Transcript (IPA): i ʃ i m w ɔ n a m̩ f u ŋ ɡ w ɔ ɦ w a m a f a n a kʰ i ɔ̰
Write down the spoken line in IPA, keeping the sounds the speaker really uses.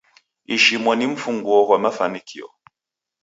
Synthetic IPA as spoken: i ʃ i m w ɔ n i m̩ f u ŋ ɡ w ɔ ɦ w a m a f a n i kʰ i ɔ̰